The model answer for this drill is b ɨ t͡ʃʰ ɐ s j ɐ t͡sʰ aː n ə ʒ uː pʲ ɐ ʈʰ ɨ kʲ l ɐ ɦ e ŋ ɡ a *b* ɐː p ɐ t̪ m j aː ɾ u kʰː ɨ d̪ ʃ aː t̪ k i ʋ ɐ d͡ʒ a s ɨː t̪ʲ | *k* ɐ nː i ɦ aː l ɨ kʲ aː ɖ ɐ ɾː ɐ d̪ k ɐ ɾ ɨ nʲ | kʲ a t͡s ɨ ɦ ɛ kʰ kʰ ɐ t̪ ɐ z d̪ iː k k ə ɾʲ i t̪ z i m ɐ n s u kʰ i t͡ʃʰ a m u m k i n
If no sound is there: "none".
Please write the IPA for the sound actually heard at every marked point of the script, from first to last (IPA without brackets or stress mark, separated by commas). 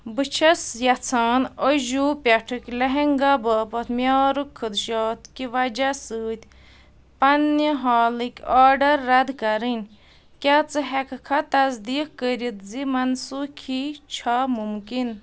b, p